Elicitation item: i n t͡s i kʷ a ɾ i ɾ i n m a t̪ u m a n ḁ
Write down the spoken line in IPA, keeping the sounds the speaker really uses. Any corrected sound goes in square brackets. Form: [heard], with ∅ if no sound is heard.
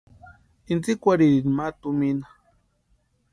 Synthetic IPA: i n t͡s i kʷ a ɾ i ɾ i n m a t̪ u m [i] n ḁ